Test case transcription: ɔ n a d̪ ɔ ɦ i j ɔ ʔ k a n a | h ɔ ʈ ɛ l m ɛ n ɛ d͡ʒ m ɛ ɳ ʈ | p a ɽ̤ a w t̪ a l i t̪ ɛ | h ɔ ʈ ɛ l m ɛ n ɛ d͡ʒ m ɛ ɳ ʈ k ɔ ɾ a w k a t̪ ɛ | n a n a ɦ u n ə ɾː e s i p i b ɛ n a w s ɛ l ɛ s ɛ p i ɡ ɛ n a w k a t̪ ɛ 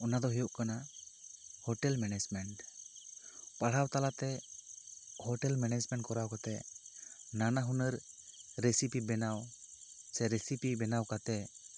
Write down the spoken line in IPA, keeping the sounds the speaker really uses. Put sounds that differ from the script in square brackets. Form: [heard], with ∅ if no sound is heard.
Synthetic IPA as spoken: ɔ n a d̪ ɔ ɦ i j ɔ ʔ k a n a | h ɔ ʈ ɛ l m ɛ n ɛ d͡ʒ m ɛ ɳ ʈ | p a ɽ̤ a w t̪ a l [a] t̪ ɛ | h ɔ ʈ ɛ l m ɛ n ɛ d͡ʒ m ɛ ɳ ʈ k ɔ ɾ a w k a t̪ ɛ | n a n a ɦ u n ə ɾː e s i p i b ɛ n a w s ɛ [ɾ] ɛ s [i] p i [b] ɛ n a w k a t̪ ɛ